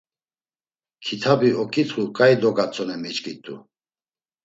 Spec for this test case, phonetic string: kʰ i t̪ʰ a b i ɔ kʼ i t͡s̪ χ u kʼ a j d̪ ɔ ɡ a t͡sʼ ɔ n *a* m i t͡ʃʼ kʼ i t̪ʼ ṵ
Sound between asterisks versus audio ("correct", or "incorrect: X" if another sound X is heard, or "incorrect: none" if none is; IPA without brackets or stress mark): incorrect: ɛ